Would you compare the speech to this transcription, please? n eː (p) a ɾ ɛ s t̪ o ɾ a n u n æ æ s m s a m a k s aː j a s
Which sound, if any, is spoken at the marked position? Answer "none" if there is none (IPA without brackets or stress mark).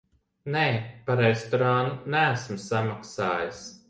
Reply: p